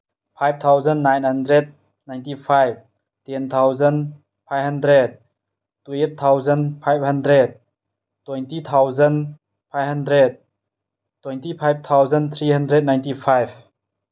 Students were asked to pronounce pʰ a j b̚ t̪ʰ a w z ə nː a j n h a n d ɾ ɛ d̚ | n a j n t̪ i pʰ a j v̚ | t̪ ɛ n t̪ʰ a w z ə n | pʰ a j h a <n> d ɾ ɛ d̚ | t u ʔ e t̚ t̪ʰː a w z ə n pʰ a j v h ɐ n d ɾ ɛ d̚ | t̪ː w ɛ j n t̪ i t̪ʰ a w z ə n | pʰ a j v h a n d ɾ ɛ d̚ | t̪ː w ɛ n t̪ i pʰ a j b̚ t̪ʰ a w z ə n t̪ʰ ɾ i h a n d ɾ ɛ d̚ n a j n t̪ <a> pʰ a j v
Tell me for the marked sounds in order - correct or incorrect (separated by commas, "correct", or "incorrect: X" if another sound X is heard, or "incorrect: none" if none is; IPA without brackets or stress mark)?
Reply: correct, incorrect: i